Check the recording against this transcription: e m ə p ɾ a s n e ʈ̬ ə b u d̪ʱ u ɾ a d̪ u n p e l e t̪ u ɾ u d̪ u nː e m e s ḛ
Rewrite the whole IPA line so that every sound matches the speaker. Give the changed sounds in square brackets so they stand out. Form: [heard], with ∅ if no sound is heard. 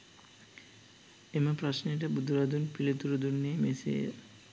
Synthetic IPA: e m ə p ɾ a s n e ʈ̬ ə b u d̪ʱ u ɾ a d̪ u n p [i] l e t̪ u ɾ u d̪ u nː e m e s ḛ